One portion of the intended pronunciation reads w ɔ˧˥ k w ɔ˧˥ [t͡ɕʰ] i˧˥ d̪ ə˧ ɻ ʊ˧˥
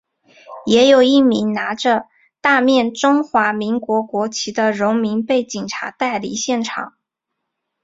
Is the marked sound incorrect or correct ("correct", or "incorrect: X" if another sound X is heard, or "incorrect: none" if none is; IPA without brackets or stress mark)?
correct